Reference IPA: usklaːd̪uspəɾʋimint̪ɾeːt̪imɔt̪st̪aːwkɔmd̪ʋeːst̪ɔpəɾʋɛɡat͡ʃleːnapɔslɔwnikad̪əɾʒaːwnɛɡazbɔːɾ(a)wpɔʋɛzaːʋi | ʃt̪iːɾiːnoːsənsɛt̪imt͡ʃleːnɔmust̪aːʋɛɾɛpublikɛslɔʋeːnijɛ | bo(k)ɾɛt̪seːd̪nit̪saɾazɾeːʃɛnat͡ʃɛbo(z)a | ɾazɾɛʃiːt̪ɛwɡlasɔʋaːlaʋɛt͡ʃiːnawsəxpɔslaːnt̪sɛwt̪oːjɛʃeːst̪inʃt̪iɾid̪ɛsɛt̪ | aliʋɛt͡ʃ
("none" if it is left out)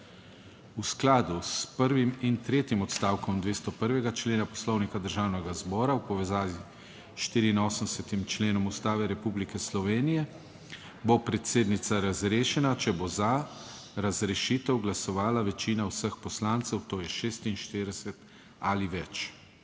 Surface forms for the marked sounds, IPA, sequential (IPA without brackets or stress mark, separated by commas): a, p, z